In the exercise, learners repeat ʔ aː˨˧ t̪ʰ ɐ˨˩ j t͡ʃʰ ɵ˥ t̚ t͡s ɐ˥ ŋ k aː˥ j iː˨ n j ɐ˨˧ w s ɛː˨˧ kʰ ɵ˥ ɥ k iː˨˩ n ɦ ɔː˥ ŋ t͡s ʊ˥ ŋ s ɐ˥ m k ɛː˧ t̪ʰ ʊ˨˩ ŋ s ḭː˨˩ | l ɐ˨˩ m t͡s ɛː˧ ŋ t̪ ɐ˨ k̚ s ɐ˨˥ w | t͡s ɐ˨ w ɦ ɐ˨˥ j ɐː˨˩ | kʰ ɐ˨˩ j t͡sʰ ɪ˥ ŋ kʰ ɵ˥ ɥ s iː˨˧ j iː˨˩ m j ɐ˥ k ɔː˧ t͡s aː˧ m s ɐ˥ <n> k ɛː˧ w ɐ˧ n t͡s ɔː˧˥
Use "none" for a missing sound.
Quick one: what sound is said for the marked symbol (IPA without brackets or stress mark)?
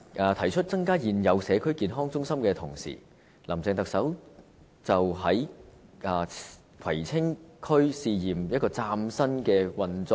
n